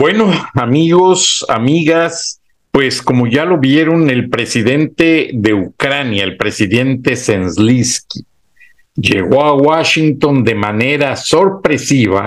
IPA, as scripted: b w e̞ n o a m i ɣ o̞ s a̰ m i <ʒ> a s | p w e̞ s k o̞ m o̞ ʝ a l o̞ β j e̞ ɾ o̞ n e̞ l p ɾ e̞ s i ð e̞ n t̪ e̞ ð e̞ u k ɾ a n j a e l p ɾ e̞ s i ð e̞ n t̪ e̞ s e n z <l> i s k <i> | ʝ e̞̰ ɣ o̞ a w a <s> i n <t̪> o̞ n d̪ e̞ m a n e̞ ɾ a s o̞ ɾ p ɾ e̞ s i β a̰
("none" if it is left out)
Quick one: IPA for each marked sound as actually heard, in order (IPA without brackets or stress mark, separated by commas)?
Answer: ɣ, l, i, ʃ, t̪